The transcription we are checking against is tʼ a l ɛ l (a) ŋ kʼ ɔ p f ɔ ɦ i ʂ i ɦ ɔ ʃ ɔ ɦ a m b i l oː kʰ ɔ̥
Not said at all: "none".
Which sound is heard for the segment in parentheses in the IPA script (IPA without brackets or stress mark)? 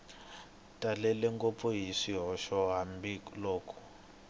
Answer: ɛ